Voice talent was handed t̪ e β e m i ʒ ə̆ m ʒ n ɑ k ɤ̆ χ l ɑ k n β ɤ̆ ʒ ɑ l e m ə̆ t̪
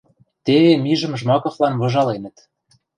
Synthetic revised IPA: t̪ e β e m i ʒ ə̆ m ʒ m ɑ k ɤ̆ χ l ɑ n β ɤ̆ ʒ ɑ l e n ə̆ t̪